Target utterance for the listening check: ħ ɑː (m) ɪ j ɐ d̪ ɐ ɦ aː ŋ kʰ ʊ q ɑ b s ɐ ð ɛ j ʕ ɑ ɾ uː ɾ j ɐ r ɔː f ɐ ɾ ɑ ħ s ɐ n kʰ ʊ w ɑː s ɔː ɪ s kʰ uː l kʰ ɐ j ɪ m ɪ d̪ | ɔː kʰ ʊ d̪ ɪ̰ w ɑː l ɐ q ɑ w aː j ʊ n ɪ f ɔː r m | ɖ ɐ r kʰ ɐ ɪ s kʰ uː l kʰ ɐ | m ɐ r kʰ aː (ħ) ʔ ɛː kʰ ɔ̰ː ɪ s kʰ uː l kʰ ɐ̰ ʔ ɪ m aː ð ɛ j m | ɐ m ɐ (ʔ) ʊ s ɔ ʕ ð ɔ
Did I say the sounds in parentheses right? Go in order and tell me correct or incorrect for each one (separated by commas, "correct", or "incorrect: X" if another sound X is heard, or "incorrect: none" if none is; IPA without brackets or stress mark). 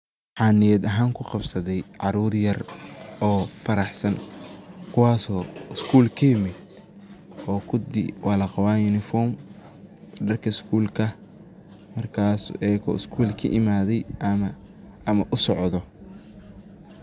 incorrect: n, incorrect: s, correct